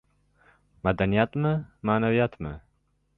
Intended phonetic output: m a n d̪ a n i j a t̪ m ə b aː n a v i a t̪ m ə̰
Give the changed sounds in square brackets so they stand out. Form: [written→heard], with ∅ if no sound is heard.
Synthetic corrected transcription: m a [n→∅] d̪ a n i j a t̪ m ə [b→m] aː n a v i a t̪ m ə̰